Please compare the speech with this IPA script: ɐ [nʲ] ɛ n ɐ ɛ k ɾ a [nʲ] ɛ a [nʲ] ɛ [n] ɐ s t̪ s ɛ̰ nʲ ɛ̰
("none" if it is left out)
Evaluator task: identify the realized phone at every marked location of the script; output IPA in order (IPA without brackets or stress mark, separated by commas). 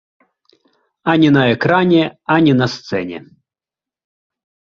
nʲ, nʲ, nʲ, n